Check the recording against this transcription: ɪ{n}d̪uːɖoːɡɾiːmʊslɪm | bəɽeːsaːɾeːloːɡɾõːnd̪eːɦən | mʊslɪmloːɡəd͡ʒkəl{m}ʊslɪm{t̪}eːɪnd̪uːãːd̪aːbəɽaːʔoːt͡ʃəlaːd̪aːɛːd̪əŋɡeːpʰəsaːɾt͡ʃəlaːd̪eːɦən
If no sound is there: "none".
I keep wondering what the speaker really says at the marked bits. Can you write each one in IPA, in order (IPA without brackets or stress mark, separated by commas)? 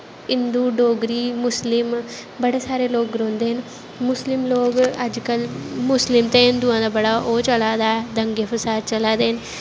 n, m, t̪